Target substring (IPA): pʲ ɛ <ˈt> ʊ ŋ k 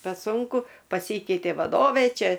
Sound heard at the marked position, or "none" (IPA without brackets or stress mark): s